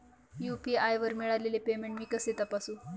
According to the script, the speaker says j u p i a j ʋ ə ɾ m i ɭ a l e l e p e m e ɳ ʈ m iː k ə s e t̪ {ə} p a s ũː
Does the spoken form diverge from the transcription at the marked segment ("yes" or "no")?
yes